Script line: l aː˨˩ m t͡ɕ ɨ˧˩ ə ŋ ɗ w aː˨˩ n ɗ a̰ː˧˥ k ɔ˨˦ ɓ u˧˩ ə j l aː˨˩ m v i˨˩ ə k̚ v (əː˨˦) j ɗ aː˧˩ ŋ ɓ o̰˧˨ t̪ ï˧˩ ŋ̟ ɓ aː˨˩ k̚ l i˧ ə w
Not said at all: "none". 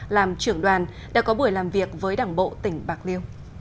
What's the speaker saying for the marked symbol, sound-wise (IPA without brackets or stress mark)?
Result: əː˨˦